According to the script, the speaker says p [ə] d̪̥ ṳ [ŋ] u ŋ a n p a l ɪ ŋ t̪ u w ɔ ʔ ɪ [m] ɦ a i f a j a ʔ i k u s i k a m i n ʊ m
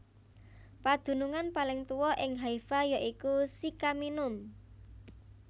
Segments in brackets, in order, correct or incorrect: incorrect, incorrect, incorrect

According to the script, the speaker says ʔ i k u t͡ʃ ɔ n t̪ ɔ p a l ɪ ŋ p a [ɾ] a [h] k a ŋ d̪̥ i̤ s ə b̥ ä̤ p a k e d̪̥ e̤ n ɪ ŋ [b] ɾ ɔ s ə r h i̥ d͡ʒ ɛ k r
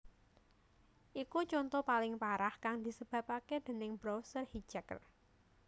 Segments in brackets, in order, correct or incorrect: correct, correct, correct

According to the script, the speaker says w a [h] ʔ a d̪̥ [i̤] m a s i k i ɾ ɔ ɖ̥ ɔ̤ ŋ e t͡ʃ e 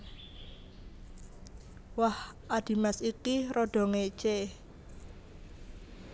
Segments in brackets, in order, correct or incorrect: correct, correct

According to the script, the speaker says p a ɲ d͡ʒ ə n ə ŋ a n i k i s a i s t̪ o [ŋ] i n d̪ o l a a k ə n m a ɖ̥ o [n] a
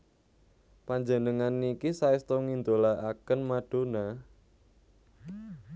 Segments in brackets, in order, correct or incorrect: correct, correct

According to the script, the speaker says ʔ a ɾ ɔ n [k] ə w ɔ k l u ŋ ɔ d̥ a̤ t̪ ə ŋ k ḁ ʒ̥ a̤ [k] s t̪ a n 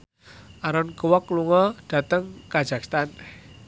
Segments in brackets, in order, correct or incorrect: correct, correct

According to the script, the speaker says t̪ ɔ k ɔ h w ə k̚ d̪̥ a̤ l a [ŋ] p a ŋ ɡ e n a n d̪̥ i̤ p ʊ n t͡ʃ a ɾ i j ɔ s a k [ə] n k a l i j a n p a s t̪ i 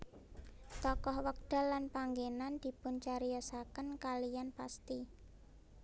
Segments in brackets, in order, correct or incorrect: incorrect, correct

